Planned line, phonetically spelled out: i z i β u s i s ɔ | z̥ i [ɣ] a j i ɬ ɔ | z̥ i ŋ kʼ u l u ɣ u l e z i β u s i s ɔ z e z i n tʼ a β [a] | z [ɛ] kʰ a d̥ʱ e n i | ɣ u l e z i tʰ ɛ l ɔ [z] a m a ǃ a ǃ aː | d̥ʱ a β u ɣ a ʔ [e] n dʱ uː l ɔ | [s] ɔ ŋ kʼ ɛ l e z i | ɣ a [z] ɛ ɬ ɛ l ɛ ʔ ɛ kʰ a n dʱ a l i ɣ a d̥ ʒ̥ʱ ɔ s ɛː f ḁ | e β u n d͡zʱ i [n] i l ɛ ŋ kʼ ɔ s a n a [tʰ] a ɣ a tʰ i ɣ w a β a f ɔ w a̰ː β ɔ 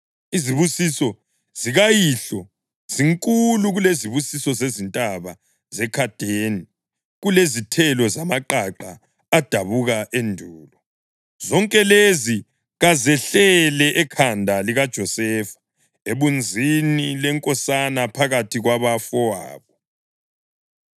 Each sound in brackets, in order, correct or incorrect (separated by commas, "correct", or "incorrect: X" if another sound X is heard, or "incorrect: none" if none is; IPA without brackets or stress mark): correct, correct, correct, correct, correct, incorrect: z, correct, correct, incorrect: pʰ